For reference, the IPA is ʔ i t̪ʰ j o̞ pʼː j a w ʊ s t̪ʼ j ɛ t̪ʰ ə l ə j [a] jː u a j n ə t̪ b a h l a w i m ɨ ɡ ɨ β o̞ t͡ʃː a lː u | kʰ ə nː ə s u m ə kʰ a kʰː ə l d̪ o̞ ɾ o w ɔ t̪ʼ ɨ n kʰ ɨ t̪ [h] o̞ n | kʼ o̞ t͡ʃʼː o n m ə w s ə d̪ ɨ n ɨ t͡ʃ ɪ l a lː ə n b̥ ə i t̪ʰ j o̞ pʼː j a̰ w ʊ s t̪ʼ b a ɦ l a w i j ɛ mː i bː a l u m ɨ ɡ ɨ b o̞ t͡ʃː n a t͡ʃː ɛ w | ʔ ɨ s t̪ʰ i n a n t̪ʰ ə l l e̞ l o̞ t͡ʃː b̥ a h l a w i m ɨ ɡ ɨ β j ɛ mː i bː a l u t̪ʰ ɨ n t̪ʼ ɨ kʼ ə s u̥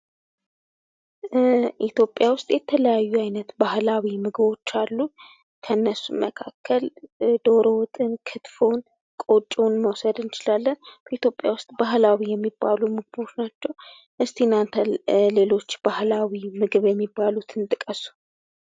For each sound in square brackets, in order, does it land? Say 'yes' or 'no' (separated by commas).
yes, no